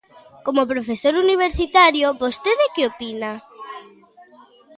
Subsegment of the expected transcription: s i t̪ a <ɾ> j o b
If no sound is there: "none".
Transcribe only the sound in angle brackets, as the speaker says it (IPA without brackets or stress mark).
ɾ